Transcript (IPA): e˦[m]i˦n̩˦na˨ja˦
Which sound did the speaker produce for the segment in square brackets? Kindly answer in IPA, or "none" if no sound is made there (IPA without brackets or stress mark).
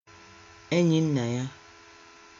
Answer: ɲ